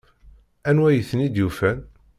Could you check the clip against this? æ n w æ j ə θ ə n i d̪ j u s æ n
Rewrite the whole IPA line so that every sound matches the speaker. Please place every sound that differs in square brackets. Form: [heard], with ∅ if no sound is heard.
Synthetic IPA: æ n w æ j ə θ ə n i d̪ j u [f] æ n